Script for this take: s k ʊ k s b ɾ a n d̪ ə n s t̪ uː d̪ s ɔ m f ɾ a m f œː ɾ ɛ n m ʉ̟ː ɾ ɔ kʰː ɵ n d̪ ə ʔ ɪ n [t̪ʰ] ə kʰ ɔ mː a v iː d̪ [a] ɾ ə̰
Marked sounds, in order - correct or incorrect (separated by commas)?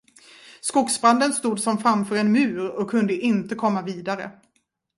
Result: incorrect, correct